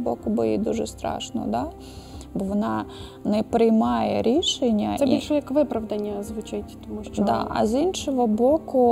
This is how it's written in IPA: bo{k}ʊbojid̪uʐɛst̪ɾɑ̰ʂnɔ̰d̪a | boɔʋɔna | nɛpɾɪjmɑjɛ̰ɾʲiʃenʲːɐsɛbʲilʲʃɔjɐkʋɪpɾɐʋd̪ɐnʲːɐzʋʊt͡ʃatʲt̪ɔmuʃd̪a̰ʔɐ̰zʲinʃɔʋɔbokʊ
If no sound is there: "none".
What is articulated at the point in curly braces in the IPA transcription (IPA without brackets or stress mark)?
k